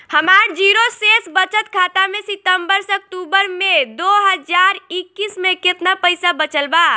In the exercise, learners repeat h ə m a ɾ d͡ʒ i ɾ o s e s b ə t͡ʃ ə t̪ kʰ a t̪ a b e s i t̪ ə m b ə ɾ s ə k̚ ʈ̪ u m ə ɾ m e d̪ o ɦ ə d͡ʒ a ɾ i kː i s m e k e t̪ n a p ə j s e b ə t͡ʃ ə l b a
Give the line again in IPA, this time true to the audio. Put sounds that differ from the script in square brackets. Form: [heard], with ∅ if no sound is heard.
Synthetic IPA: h ə m a ɾ d͡ʒ i ɾ o s e s b ə t͡ʃ ə t̪ kʰ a t̪ a [m] e s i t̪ ə m b ə ɾ s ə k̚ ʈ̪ u [b] ə ɾ m e d̪ o ɦ ə d͡ʒ a ɾ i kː i s m e k e t̪ n a p ə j s [a] b ə t͡ʃ ə l b a